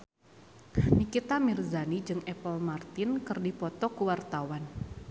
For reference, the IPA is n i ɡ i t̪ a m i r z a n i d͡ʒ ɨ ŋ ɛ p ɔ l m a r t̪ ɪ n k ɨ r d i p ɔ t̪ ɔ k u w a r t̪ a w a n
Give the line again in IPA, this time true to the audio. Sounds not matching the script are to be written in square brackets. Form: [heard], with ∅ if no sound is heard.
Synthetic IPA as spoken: n i [k] i t̪ a m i r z a n i d͡ʒ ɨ ŋ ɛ p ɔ l m a r t̪ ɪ n k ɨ r d i p ɔ t̪ ɔ k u w a r t̪ a w a n